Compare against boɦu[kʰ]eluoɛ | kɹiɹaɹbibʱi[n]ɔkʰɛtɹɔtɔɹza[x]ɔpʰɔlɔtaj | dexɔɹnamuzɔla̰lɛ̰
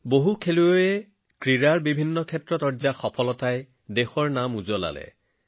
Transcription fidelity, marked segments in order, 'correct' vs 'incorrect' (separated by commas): correct, incorrect, correct